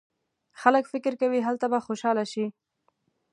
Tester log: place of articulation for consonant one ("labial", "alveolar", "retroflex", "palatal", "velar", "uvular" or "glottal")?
velar